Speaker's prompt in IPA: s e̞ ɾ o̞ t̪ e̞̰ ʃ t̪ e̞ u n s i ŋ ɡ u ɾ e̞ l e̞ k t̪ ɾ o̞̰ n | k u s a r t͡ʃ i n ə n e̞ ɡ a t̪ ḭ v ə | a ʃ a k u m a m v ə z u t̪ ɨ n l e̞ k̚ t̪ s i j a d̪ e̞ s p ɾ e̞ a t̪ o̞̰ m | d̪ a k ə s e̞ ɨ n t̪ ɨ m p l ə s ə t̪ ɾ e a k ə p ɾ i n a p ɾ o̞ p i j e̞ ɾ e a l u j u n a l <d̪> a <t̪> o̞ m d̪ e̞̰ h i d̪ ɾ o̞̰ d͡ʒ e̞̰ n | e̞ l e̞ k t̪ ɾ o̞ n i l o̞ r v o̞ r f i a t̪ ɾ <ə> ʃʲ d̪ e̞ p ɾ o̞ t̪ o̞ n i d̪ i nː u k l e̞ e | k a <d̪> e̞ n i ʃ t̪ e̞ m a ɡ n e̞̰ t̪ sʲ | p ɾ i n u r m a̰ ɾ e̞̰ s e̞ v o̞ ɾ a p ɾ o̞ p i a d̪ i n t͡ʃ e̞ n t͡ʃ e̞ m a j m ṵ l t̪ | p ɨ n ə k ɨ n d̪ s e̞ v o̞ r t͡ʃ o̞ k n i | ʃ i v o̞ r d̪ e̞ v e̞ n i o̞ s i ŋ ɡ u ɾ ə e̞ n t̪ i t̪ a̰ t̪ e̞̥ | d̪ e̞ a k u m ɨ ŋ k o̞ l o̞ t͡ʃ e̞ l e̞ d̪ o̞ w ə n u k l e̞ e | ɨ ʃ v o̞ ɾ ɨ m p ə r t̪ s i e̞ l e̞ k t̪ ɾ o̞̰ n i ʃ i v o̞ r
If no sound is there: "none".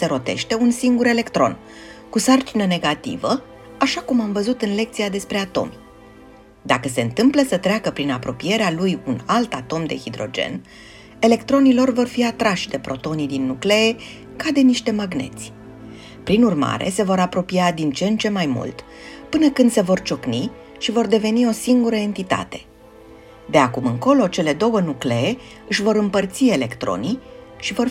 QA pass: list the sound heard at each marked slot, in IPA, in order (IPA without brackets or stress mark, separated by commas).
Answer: t̪, t̪, a, d̪